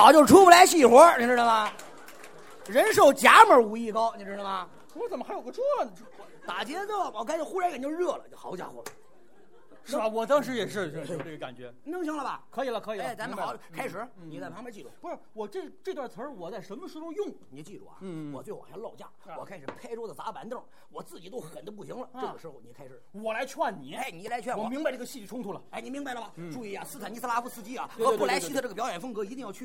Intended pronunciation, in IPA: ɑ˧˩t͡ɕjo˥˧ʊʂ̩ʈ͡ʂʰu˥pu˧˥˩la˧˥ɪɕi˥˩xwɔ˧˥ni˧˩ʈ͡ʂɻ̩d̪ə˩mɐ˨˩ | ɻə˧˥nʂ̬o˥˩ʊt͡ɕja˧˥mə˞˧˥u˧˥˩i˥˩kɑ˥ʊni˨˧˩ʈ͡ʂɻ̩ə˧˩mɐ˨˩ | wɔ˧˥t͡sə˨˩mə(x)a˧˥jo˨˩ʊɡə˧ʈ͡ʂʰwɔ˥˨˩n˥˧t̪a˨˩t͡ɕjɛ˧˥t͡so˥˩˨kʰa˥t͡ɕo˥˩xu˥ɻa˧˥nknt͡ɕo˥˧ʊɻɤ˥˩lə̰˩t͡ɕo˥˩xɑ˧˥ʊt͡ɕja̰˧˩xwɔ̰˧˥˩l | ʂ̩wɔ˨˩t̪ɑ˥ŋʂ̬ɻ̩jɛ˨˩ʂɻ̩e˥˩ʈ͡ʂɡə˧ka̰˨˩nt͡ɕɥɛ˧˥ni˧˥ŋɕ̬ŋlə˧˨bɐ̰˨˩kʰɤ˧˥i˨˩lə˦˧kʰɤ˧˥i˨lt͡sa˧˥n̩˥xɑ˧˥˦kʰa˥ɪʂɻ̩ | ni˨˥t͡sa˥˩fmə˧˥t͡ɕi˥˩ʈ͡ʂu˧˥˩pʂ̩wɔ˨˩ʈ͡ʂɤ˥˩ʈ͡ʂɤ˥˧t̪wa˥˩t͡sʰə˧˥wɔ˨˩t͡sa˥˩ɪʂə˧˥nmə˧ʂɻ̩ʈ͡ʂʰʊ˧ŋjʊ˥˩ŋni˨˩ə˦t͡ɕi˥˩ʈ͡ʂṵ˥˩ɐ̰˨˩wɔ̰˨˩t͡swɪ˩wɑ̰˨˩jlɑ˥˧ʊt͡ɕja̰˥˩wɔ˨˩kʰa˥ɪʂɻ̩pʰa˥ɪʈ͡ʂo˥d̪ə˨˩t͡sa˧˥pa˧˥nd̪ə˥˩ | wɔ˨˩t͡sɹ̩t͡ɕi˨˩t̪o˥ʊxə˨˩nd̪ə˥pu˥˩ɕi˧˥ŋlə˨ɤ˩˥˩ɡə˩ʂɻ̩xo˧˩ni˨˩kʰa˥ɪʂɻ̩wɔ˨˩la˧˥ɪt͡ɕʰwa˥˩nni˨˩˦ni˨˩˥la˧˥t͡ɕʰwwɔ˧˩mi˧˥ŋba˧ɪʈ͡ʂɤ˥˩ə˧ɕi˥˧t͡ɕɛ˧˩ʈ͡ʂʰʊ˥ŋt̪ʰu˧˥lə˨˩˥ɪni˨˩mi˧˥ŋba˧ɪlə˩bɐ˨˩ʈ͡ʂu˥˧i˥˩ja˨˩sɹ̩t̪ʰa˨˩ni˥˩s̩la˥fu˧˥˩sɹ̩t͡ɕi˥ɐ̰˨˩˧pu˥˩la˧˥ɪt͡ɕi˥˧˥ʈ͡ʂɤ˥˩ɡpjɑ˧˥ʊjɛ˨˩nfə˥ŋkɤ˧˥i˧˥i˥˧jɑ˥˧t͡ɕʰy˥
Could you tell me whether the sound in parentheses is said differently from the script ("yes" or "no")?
no